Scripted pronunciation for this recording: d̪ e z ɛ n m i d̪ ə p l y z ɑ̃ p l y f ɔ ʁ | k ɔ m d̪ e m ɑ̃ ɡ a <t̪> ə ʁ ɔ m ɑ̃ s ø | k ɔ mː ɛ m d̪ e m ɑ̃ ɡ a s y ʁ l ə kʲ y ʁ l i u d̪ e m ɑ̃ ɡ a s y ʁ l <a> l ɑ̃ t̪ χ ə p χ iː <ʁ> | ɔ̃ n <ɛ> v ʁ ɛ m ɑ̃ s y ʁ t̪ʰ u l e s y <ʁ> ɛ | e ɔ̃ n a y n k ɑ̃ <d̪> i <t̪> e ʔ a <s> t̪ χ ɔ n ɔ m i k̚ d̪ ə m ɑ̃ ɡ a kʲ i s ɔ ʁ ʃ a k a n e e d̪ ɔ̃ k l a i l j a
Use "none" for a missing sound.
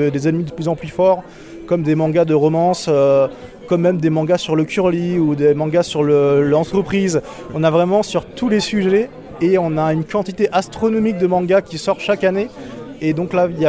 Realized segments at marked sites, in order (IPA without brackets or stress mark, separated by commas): d̪, ə, z, a, ʒ, t̪, t̪, s